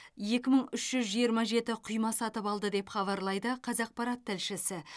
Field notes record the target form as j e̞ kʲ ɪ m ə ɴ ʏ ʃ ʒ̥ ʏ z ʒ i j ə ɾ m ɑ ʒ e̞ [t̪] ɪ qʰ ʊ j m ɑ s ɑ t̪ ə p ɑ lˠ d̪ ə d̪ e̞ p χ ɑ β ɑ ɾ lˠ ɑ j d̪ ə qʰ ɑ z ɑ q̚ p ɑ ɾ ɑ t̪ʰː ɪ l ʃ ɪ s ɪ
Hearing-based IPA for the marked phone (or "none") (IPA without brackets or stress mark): t̪